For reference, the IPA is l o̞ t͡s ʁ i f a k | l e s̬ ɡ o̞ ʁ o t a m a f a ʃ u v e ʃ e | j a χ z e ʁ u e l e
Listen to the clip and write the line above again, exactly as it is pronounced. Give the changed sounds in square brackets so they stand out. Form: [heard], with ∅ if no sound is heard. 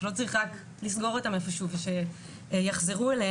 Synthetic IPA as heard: l o̞ t͡s ʁ i [χ] a k | l [i] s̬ ɡ o̞ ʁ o t a m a f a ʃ u v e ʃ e | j a χ z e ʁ u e l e